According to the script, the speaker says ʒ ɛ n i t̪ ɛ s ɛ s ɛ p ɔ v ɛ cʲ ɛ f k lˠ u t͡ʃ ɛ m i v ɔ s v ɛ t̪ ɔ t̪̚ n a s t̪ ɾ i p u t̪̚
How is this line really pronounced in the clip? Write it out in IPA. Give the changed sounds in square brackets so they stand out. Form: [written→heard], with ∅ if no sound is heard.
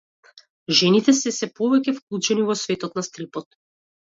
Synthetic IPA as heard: ʒ ɛ n i t̪ ɛ s ɛ s ɛ p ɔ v ɛ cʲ ɛ f k lˠ u t͡ʃ ɛ [m→n] i v ɔ s v ɛ t̪ ɔ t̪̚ n a s t̪ ɾ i p [u→ɔ] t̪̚